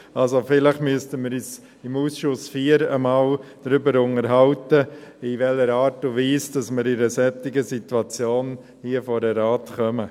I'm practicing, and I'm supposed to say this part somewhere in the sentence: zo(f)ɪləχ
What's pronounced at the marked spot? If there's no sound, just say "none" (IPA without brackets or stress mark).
f